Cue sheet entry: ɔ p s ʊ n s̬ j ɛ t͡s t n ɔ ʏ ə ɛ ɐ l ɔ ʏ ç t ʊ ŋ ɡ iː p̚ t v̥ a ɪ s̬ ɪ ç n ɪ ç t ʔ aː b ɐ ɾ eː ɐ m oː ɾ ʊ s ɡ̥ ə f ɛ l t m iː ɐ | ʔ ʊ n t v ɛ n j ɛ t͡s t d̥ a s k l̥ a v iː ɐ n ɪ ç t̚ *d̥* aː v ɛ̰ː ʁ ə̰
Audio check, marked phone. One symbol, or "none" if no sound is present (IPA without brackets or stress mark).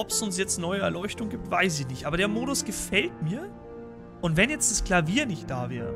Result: d̥